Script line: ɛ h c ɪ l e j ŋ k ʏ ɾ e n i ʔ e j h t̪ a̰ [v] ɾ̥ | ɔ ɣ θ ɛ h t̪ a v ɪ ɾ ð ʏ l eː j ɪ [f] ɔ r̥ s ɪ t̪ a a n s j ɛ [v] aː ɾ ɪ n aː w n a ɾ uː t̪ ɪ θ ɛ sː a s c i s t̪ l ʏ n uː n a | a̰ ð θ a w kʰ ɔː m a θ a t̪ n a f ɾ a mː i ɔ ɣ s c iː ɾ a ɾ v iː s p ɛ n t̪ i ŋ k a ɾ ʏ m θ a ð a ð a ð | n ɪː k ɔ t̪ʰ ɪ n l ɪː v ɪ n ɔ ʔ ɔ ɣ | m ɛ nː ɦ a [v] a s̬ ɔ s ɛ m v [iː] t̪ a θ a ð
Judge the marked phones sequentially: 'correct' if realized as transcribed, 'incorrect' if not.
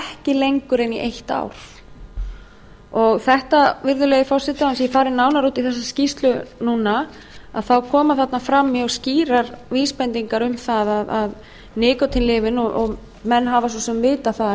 incorrect, correct, incorrect, correct, incorrect

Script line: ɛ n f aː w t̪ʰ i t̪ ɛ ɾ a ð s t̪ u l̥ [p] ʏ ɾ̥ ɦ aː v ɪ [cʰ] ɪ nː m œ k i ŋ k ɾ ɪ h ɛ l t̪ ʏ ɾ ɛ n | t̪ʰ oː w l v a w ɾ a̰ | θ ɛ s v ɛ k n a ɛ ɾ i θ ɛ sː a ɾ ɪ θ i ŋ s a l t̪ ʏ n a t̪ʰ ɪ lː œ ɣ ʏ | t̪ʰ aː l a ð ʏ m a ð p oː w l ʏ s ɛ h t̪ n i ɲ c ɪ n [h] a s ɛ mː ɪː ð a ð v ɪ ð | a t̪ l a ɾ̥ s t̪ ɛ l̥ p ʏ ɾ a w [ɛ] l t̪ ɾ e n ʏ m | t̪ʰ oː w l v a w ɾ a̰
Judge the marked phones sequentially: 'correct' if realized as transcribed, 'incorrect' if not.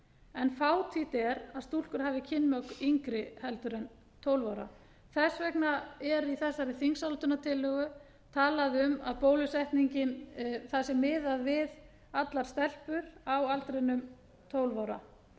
incorrect, correct, incorrect, incorrect

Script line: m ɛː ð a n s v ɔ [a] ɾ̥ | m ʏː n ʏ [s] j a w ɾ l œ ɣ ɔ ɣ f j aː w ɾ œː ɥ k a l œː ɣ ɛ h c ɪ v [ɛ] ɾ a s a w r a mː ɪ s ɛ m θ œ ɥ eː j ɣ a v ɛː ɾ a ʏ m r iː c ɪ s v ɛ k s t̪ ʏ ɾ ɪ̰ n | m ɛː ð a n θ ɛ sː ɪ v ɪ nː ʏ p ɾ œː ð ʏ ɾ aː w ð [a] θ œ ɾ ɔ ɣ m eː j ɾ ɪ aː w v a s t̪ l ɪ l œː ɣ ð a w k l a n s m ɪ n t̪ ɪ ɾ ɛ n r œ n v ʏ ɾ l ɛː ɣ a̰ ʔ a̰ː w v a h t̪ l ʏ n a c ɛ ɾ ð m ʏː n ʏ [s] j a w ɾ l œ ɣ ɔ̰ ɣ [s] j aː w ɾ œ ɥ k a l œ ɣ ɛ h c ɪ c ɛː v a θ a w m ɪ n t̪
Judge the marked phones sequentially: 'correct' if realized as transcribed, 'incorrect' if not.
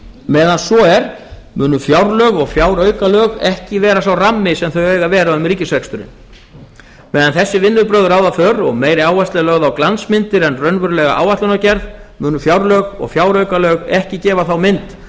incorrect, incorrect, incorrect, correct, incorrect, incorrect

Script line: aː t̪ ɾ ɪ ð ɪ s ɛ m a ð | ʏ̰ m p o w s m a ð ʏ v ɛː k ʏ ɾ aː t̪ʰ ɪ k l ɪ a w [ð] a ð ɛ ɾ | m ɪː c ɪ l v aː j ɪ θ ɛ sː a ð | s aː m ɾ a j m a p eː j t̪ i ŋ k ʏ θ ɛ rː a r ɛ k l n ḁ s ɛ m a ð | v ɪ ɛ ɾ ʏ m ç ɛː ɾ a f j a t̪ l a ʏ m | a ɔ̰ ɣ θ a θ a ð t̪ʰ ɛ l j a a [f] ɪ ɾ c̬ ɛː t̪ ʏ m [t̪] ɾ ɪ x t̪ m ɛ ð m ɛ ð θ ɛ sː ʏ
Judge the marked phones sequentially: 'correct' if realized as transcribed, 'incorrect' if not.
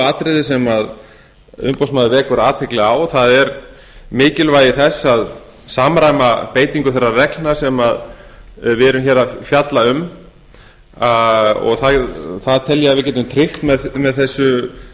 incorrect, incorrect, incorrect

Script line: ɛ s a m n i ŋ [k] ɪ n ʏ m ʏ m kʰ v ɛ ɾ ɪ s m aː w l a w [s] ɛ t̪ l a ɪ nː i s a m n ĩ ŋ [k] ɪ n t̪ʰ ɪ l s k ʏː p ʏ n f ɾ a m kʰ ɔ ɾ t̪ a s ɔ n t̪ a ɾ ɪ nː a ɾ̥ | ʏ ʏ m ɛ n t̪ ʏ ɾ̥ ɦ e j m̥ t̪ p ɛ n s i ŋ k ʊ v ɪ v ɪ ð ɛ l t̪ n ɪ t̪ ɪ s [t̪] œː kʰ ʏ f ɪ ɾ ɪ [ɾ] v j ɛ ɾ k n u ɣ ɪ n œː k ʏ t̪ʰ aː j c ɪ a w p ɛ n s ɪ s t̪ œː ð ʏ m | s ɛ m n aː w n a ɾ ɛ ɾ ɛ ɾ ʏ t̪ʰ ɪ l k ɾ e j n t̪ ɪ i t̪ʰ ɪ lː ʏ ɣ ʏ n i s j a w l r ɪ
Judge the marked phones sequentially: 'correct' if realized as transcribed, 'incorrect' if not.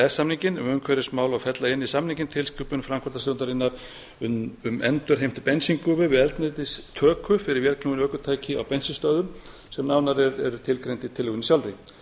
incorrect, incorrect, incorrect, incorrect, correct

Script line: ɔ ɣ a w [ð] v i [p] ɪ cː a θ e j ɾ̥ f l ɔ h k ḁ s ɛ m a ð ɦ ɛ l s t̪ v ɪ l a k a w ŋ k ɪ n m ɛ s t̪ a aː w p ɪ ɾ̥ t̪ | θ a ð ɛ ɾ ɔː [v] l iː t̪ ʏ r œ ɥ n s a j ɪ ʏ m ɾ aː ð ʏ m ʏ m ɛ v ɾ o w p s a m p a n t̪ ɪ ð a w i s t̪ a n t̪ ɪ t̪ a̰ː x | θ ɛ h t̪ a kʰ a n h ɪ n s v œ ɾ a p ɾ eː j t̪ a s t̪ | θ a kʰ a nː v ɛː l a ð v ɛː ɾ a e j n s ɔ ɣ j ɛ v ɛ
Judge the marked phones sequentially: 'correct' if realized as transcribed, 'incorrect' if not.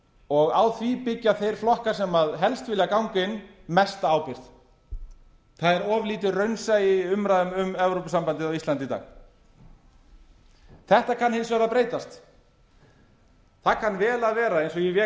incorrect, correct, correct

